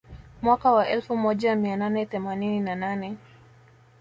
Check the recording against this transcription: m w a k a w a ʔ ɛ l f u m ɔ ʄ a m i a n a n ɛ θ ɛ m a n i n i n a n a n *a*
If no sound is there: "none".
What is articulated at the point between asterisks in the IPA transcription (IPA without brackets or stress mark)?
ɛ